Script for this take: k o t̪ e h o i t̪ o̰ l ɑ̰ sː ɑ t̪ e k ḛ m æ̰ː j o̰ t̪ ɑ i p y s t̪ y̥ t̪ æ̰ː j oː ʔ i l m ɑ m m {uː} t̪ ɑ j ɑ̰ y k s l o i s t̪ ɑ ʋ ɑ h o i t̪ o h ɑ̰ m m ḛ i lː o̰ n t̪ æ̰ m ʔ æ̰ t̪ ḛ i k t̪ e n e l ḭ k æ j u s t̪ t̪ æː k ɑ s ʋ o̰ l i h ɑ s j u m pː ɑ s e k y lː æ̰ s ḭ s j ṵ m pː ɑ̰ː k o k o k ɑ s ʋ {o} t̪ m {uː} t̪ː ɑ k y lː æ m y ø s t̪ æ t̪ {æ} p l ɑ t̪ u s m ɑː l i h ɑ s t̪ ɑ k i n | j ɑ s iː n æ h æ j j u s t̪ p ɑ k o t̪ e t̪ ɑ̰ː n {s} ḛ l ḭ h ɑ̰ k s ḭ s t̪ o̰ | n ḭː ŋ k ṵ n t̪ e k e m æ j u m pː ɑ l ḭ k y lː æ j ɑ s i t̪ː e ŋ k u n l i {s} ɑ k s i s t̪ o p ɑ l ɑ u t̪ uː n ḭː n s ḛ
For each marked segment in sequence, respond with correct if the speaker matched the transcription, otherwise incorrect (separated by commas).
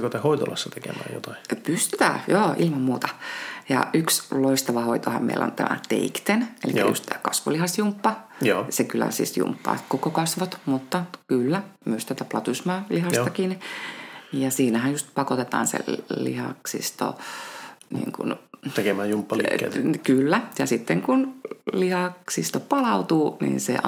correct, correct, incorrect, correct, correct, incorrect